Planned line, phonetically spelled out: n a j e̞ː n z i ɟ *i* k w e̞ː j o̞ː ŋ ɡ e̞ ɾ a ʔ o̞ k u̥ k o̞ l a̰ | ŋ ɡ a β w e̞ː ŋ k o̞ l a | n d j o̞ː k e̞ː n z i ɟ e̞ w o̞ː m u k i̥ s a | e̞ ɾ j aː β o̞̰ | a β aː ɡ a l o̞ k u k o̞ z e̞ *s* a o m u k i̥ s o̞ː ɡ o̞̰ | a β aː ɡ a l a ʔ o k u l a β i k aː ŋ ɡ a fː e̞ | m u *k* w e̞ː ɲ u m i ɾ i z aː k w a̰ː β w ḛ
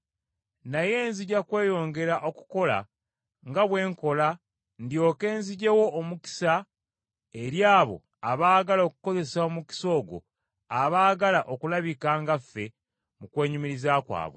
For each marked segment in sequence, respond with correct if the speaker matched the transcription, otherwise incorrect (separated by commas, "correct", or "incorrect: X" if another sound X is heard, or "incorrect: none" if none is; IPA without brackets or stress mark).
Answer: incorrect: a, correct, correct